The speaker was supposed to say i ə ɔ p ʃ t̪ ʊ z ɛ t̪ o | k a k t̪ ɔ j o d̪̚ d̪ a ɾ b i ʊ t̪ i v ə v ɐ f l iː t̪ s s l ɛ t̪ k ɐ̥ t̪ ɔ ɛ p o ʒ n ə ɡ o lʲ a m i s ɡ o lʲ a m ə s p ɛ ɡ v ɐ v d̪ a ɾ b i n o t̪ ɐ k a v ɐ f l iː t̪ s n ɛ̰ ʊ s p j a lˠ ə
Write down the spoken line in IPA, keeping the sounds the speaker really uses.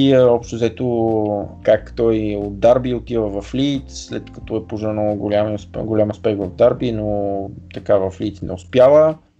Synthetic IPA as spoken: i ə ɔ p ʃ t̪ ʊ z ɛ t̪ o | k a k t̪ ɔ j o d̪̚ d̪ a ɾ b i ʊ t̪ i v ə v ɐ f l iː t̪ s s l ɛ t̪ k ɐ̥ t̪ ɔ ɛ p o ʒ n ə ɡ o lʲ a m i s ɡ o lʲ a m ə s p ɛ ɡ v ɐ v d̪ a ɾ b i n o t̪ ɐ k a v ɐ f l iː t̪ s n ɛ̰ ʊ s p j a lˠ ə